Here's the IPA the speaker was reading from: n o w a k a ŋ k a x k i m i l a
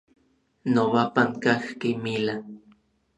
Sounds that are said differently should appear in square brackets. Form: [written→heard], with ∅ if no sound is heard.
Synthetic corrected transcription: n o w a [k→p] a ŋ k a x k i m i l a

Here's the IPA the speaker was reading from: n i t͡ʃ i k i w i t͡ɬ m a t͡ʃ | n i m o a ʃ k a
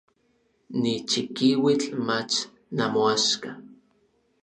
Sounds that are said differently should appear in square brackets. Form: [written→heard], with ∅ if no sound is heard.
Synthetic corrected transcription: n i t͡ʃ i k i w i t͡ɬ m a t͡ʃ | n [i→a] m o a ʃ k a

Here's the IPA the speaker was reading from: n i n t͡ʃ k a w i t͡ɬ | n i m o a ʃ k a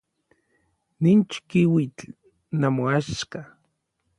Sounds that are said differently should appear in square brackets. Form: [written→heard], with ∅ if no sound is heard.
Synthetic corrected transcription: n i n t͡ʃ k [a→i] w i t͡ɬ | n [i→a] m o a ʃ k a

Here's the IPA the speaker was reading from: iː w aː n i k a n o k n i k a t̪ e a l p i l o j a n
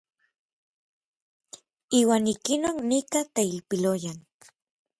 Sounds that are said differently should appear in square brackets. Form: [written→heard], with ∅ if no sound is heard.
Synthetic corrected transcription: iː w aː n i k [a→i] n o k n i k a t̪ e [a→i] l p i l o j a n

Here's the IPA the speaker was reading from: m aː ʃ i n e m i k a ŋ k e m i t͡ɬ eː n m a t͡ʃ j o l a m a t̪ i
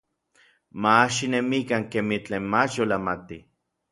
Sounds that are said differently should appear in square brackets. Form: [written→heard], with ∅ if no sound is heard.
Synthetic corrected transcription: m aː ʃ i n e m i k a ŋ k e m i t͡ɬ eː n m a t͡ʃ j o l a m a t̪ i

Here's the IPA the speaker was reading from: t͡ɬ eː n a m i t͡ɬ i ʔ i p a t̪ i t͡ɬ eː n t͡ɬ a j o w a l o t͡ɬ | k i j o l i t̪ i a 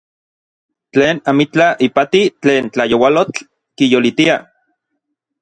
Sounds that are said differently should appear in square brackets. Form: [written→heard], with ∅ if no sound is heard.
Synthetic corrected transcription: t͡ɬ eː n a m i t͡ɬ [i→a] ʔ i p a t̪ i t͡ɬ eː n t͡ɬ a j o w a l o t͡ɬ | k i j o l i t̪ i a

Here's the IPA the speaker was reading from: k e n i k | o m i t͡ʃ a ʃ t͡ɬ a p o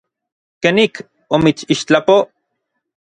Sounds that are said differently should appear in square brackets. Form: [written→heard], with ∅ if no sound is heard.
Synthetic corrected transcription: k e n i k | o m i t͡ʃ [a→i] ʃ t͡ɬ a p o

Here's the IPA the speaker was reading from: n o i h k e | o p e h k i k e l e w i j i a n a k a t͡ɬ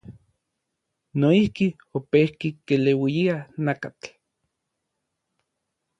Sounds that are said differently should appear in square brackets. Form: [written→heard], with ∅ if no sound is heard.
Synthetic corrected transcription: n o i h k [e→i] | o p e h k i k e l e w i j i a n a k a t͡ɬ

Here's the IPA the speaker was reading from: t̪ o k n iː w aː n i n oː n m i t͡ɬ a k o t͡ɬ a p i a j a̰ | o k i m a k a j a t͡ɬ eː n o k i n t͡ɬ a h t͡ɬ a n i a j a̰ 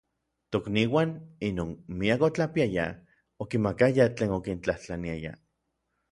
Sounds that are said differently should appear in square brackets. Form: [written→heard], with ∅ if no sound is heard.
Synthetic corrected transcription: t̪ o k n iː w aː n i n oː n m i [t͡ɬ→∅] a k o t͡ɬ a p i a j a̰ | o k i m a k a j a t͡ɬ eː n o k i n t͡ɬ a h t͡ɬ a n i a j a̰

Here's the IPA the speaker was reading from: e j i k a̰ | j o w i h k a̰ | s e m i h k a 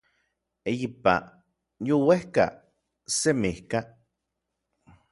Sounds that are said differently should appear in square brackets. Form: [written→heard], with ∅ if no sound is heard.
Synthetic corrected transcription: e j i [k→p] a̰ | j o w [i→e] h k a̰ | s e m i h k a

